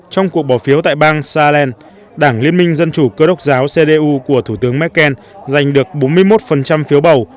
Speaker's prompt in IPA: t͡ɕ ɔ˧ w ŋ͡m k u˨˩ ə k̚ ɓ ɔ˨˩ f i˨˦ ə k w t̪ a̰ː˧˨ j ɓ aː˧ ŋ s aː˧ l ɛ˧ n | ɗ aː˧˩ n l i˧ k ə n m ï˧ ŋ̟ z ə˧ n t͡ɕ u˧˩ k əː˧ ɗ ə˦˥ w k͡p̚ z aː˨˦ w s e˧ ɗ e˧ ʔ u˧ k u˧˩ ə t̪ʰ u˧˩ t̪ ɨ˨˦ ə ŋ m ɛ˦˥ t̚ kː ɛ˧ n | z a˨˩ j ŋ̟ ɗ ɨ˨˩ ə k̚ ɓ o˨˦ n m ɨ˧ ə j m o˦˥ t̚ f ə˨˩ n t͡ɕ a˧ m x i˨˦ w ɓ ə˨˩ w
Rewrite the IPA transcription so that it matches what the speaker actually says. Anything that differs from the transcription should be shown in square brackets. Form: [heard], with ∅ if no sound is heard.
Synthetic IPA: t͡ɕ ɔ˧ w ŋ͡m k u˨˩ ə k̚ ɓ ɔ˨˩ f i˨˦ ə [∅] w t̪ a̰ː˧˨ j ɓ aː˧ ŋ s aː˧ l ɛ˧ n | ɗ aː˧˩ [ŋ] l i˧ [∅] ə n m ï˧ ŋ̟ z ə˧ n t͡ɕ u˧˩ k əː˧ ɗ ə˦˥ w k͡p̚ z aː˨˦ w s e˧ ɗ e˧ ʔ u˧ k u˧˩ ə t̪ʰ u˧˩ t̪ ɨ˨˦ ə ŋ m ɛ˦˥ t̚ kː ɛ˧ n | z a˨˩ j ŋ̟ ɗ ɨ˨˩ ə k̚ ɓ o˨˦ n m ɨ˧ ə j m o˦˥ t̚ f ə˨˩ n t͡ɕ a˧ m [f] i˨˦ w ɓ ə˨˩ w